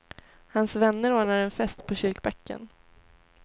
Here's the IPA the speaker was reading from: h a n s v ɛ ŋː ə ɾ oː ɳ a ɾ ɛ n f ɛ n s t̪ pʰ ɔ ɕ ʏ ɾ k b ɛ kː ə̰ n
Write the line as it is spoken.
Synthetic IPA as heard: h a n s v ɛ nː ə ɾ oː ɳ a ɾ ɛ n f ɛ s t̪ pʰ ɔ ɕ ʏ ɾ k b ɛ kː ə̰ n